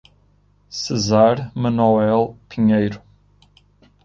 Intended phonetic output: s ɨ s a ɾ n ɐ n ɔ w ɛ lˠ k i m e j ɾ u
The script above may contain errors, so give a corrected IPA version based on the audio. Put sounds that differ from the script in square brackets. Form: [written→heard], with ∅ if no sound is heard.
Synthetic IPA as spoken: s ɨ [s→z] a ɾ [n→m] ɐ n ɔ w ɛ lˠ [k→p] i [m→ɲ] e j ɾ u